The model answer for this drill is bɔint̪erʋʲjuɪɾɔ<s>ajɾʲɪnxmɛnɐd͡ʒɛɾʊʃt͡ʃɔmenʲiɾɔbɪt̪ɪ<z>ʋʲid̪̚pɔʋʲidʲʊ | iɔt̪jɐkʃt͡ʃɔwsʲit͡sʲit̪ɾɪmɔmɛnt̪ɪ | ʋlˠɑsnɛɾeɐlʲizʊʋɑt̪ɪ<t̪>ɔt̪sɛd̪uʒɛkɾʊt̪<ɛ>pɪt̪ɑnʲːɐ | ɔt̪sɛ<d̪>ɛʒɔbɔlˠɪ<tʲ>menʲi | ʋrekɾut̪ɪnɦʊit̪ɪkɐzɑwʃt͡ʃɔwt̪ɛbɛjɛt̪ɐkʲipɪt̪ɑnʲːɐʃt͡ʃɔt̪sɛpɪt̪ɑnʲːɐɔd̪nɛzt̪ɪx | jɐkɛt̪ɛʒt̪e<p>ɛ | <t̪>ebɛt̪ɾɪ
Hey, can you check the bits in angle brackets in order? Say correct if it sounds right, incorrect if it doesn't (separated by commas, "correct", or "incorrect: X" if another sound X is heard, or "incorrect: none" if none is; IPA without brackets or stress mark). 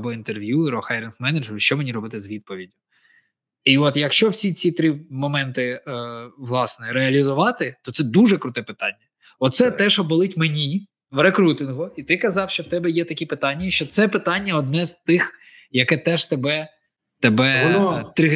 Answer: incorrect: x, correct, correct, correct, incorrect: t̪, correct, incorrect: b, correct